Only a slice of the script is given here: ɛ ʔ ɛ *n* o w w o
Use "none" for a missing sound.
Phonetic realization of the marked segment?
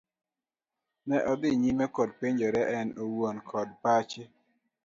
n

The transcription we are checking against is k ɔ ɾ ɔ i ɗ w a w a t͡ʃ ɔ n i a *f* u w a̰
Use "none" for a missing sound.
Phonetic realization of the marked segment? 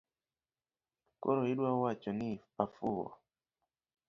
f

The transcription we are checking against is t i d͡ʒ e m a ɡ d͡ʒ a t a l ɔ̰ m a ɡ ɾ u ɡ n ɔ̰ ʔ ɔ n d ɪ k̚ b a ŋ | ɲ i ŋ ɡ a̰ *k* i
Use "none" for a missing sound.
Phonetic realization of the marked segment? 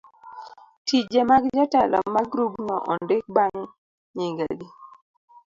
ɡ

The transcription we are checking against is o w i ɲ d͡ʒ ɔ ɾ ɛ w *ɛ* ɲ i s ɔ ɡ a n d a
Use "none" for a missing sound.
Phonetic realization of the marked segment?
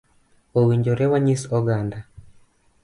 a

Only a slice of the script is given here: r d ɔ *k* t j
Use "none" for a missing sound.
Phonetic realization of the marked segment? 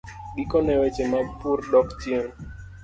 k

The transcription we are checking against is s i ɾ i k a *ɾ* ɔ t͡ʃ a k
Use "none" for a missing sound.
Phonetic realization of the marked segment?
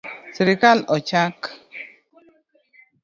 l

